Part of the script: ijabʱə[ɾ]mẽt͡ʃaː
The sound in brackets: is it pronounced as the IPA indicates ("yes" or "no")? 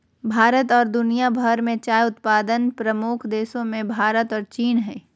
yes